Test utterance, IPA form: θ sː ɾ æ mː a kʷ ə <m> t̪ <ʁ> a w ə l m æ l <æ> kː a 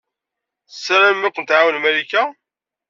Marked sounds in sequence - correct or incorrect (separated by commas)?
incorrect, incorrect, incorrect